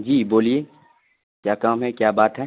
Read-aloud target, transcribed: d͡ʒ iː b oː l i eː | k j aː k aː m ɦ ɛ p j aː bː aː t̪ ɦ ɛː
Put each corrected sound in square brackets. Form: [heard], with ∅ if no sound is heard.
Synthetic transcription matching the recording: d͡ʒ iː b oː l i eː | k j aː k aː m ɦ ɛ [k] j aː [b] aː t̪ ɦ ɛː